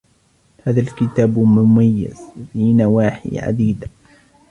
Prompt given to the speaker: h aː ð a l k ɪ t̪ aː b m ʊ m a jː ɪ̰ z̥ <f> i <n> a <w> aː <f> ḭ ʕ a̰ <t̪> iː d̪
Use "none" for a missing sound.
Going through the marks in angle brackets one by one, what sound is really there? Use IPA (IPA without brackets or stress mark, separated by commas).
f, n, w, ħ, d̪